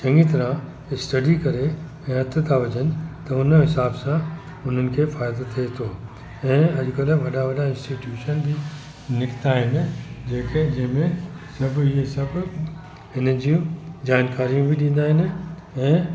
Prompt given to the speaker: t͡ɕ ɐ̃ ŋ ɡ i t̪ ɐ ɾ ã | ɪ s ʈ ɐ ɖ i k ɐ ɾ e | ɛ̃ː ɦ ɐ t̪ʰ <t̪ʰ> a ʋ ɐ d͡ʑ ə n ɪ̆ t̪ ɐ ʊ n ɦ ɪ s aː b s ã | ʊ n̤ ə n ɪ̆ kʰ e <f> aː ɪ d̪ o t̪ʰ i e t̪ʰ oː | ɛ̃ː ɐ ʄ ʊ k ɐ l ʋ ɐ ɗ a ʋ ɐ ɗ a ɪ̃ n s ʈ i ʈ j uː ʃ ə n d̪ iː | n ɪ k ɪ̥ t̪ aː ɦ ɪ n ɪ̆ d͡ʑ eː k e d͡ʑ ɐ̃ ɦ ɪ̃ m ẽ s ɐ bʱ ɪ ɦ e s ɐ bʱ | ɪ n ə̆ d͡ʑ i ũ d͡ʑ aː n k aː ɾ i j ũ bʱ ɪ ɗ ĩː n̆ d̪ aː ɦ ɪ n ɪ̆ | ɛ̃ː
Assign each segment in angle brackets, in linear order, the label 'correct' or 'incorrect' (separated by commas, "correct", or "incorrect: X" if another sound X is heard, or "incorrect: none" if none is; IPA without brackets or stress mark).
correct, correct